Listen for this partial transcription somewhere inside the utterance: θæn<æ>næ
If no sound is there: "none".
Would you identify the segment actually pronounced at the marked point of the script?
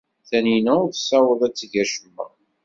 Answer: i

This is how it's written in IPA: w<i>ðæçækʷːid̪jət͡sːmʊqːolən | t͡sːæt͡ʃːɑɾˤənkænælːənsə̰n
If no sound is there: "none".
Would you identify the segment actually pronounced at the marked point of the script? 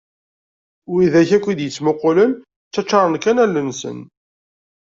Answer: i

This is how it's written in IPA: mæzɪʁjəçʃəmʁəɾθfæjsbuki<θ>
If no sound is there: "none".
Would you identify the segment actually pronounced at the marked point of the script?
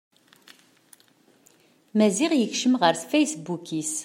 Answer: s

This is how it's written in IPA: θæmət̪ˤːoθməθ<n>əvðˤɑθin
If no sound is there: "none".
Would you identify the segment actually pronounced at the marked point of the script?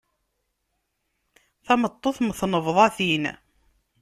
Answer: n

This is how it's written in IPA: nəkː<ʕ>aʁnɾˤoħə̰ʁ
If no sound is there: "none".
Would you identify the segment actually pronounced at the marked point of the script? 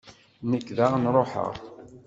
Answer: ð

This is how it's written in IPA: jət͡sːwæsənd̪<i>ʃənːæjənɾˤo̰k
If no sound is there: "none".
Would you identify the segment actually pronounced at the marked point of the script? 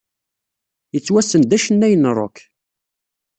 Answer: æ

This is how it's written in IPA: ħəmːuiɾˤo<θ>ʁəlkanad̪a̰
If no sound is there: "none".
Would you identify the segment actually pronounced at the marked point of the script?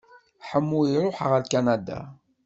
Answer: ħ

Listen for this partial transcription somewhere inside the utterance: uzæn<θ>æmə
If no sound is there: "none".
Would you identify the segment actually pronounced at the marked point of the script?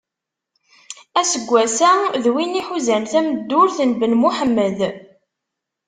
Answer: θ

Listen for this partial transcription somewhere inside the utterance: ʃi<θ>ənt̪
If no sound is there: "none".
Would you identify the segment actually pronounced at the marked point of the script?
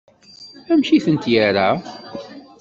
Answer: θ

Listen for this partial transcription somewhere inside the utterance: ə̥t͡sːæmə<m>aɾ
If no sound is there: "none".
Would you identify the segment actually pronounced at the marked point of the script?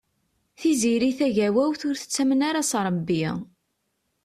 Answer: n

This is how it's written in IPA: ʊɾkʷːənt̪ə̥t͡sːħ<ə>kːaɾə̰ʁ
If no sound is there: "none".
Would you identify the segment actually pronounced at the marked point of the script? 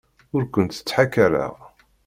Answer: a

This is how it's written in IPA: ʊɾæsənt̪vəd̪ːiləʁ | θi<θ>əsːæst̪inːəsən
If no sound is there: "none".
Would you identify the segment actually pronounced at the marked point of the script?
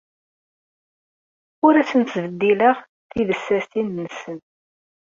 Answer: ð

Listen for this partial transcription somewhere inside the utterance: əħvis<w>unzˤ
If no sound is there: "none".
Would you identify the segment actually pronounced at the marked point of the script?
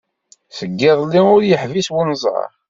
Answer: w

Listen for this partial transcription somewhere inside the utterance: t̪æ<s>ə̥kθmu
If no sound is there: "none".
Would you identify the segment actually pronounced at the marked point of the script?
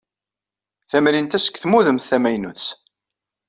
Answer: s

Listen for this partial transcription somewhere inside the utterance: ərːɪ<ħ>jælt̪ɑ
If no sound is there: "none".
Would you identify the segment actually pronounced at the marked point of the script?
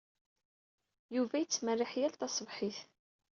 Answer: ħ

